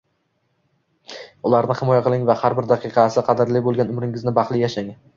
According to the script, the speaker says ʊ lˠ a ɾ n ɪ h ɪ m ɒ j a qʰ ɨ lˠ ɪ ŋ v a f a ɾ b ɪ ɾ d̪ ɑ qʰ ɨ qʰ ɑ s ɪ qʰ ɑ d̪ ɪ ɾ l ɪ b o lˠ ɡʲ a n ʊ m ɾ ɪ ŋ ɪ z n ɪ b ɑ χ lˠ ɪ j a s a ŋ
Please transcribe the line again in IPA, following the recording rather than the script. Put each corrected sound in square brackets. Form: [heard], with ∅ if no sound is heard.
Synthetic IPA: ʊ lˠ a ɾ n ɪ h ɪ m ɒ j a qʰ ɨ lˠ ɪ ŋ v a [h] a ɾ b ɪ ɾ d̪ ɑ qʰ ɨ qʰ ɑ s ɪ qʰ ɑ d̪ ɪ ɾ l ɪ b o lˠ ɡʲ a n ʊ m ɾ ɪ ŋ ɪ z n ɪ b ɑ χ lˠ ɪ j a [ʃ] a ŋ